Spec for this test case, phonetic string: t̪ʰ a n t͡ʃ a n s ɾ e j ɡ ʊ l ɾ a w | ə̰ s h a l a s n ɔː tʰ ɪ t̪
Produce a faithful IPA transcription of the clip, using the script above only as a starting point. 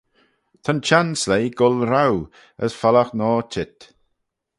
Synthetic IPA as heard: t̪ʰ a n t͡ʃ a n s l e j ɡ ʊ l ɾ a w | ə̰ s f a l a x n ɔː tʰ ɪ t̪